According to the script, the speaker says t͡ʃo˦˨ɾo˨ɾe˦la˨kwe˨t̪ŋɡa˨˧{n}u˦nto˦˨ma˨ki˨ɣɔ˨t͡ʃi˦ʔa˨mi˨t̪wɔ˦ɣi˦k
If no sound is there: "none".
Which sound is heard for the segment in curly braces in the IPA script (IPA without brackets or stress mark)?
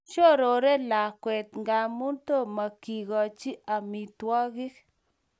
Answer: m